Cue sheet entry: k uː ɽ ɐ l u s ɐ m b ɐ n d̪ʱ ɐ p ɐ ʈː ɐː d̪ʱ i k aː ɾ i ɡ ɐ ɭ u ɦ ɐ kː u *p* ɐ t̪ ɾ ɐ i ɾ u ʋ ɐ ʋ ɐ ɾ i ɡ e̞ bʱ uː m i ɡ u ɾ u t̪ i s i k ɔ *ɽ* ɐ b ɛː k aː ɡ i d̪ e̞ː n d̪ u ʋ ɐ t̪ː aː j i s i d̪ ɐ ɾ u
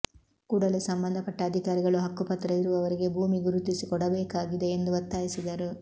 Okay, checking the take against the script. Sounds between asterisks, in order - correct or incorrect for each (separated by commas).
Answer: correct, correct